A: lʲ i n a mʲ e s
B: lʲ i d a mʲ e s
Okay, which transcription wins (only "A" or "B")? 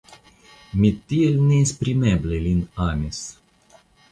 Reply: A